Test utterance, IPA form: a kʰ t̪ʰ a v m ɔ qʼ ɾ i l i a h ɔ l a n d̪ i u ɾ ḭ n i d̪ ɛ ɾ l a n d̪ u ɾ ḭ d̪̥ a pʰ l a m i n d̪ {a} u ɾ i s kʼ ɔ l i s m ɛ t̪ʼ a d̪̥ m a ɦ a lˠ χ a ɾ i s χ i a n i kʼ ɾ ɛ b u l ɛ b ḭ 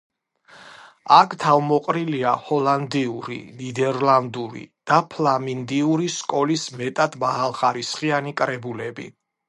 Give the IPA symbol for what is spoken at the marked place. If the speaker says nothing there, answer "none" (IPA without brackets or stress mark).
i